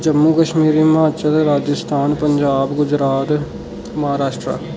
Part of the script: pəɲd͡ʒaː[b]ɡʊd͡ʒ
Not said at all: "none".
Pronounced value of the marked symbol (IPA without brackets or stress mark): b